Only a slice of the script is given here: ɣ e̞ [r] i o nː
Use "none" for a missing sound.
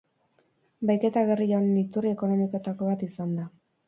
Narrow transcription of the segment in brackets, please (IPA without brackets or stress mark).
r